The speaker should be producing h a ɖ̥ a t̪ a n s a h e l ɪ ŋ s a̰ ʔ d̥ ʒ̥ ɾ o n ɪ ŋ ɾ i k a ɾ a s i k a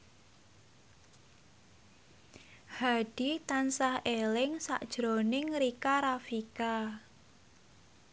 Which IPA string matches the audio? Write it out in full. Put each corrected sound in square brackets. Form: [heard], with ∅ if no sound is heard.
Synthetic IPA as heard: h a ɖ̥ [i] t̪ a n s a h e l ɪ ŋ s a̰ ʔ d̥ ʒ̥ ɾ o n ɪ ŋ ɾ i k a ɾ a [f] i k a